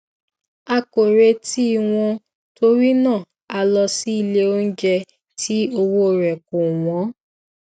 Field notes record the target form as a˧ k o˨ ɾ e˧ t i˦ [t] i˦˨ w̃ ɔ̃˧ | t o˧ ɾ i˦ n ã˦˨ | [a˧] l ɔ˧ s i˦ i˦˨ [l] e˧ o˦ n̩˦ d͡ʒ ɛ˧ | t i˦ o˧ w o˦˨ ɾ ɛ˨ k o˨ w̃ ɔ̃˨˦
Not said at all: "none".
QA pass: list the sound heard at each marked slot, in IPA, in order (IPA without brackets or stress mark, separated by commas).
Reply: none, a˧, l